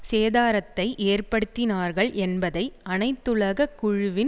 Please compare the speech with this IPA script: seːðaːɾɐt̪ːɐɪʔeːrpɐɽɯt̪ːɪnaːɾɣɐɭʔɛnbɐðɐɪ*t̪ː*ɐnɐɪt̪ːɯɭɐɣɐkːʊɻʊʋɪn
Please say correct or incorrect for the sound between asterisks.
incorrect